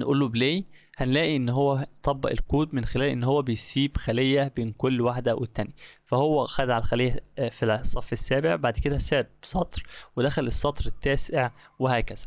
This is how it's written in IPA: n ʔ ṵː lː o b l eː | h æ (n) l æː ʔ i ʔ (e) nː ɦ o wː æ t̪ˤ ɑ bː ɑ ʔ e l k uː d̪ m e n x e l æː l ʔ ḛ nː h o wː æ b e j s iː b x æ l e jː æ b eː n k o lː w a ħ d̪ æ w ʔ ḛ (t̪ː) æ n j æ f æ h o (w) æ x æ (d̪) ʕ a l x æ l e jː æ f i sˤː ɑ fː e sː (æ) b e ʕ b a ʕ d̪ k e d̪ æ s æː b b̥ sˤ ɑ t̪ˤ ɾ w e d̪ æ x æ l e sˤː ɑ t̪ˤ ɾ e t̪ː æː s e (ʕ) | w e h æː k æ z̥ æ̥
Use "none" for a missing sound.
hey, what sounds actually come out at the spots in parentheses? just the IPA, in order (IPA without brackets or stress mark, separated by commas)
n, e, t̪ː, wː, d̪, æː, ʕ